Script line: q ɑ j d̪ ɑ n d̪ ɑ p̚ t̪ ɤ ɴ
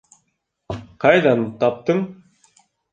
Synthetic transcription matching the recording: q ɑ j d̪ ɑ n t̪ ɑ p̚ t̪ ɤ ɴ